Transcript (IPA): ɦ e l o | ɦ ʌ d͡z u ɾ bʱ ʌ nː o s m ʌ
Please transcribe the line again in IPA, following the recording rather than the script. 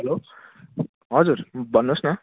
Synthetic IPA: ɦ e l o | ɦ ʌ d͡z u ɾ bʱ ʌ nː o s n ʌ